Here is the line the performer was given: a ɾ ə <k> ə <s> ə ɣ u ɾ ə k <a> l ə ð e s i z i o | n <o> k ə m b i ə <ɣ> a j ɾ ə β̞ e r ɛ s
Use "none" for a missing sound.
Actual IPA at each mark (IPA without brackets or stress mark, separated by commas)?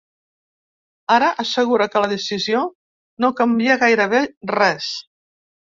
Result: ʔ, s, ə, o, ɣ